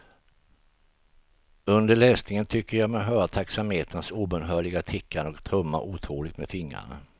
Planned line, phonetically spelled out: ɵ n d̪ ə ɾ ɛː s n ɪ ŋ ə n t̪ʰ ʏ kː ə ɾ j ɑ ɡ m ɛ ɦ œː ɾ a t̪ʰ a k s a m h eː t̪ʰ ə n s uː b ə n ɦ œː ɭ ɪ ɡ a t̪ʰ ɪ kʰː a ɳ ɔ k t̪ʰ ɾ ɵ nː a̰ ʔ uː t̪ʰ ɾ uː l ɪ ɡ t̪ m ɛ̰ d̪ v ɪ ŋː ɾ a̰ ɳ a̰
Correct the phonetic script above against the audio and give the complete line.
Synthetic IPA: ɵ n d̪ ə ɭ ɛː s n ɪ ŋ ə n t̪ʰ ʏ kː ə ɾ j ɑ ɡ m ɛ ɦ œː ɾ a t̪ʰ a k s a m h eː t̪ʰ ə n s uː b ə n ɦ œː ɭ ɪ ɡ a t̪ʰ ɪ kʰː a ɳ ɔ k t̪ʰ ɾ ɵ mː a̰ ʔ uː t̪ʰ ɾ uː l ɪ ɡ t̪ m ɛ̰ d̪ f ɪ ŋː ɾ a̰ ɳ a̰